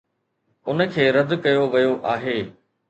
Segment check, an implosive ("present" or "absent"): absent